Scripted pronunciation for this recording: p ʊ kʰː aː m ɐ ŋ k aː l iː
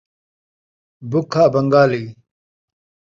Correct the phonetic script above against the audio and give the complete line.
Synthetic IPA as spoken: b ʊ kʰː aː b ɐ ŋ ɡ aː l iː